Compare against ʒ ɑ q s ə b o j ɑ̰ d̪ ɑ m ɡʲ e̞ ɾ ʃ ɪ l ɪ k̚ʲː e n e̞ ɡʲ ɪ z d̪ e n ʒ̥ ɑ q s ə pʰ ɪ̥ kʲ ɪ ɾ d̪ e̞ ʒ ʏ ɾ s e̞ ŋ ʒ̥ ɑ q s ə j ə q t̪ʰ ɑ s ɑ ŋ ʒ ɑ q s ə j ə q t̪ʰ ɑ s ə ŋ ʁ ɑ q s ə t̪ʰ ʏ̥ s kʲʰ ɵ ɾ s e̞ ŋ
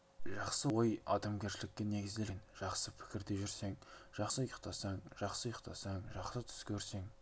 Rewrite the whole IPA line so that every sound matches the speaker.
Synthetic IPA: ʒ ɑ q s ə w o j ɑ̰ d̪ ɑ m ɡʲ e̞ ɾ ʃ ɪ l ɪ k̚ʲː e n e̞ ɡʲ ɪ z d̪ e n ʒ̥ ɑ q s ə pʰ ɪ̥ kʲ ɪ ɾ d̪ e̞ ʒ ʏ ɾ s e̞ ŋ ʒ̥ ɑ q s ə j ə q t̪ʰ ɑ s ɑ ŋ ʒ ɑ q s ə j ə q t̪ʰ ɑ s ɑ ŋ ʒ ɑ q s ə t̪ʰ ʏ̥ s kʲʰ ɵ ɾ s e̞ ŋ